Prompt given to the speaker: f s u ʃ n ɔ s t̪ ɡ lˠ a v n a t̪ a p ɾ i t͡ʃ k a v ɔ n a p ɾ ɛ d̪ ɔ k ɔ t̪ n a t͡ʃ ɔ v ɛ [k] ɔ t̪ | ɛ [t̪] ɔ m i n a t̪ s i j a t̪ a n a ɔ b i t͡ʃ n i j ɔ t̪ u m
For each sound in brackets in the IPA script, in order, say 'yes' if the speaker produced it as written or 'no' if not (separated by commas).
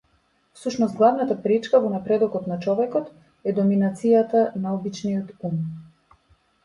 yes, no